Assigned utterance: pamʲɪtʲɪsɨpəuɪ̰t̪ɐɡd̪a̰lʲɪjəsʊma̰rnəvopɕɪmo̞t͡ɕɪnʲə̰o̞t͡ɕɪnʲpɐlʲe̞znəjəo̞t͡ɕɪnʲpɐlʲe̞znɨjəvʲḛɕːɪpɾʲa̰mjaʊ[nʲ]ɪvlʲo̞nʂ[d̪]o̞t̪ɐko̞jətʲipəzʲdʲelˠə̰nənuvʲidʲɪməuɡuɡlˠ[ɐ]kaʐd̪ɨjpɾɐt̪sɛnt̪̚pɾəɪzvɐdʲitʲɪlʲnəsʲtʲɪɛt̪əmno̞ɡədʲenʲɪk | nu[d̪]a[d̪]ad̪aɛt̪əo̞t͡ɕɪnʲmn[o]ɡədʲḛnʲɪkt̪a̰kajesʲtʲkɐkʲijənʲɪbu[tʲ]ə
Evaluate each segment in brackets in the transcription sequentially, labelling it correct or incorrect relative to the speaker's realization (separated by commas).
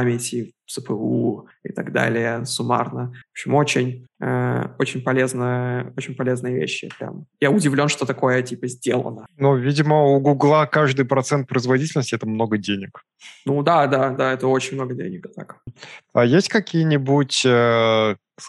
incorrect, incorrect, incorrect, correct, correct, correct, correct